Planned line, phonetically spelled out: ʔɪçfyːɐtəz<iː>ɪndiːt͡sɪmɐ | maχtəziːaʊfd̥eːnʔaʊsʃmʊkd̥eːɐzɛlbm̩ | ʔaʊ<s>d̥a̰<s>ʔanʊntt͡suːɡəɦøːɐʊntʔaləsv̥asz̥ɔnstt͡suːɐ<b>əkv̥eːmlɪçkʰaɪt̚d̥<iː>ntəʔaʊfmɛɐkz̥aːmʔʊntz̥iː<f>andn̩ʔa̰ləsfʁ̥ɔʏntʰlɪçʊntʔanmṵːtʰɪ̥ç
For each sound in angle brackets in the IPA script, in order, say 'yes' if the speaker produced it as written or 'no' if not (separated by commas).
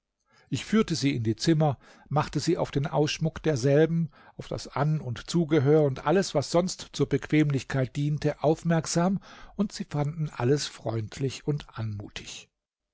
yes, no, yes, yes, yes, yes